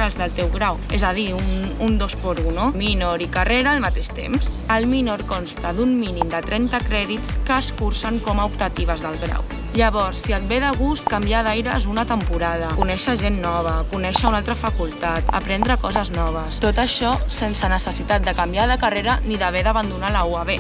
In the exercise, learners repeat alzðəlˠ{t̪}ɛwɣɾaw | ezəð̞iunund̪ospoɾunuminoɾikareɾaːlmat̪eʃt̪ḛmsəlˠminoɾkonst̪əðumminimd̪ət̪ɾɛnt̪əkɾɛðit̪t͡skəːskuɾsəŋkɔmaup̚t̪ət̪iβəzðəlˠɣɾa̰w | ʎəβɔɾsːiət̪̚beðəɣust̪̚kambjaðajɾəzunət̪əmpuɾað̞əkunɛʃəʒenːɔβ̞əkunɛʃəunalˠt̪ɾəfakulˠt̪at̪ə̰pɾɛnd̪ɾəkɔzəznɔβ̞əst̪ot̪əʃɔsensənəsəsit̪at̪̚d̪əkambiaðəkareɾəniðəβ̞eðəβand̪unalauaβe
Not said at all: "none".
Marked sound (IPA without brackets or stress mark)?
t̪